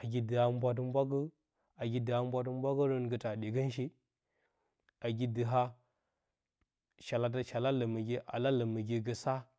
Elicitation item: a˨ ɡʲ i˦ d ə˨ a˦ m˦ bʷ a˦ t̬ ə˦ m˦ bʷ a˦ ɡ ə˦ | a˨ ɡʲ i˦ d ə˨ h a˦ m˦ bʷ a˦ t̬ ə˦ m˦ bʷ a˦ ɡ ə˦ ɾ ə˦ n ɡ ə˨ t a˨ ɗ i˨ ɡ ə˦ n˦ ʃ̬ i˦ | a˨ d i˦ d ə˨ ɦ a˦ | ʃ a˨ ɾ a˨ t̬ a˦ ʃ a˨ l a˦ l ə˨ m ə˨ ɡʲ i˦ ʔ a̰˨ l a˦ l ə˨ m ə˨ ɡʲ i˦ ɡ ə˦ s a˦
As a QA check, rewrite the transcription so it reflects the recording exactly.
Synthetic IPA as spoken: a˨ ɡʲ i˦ d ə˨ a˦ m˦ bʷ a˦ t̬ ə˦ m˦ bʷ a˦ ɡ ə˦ | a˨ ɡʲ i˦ d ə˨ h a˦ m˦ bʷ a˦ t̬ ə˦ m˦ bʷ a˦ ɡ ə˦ ɾ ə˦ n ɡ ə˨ t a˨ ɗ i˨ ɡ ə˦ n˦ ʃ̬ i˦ | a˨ ɡ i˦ d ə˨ ɦ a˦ | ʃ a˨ l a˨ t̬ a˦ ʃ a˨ l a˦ l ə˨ m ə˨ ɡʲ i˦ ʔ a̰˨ l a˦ l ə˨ m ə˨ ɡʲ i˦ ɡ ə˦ s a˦